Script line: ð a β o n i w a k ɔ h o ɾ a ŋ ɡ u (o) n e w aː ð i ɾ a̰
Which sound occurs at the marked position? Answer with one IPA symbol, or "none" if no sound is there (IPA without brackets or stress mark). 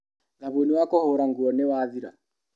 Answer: ɔ